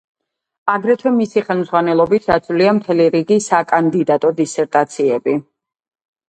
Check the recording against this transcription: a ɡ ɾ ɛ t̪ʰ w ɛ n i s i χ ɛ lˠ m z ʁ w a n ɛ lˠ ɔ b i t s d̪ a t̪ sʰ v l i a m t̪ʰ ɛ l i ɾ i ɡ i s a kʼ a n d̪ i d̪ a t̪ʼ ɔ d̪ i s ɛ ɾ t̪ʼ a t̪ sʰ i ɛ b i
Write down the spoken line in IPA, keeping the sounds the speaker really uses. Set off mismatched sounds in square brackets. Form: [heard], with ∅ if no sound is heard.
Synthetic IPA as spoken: a ɡ ɾ ɛ t̪ʰ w ɛ [m] i s i χ ɛ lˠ m z ʁ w a n ɛ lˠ ɔ b i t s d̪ a t̪ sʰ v l i a m t̪ʰ ɛ l i ɾ i ɡ i s a kʼ a n d̪ i d̪ a t̪ʼ ɔ d̪ i s ɛ ɾ t̪ʼ a t̪ sʰ i ɛ b i